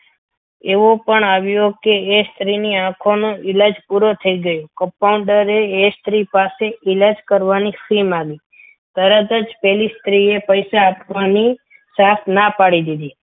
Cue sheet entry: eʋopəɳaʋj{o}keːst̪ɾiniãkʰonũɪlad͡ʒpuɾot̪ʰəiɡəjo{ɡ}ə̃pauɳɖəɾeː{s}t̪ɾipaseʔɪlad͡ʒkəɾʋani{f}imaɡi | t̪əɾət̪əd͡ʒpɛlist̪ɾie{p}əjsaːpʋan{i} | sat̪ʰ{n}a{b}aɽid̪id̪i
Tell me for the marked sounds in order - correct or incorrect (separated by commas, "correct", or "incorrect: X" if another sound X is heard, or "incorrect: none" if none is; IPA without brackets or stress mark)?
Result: correct, incorrect: k, correct, correct, correct, correct, correct, incorrect: p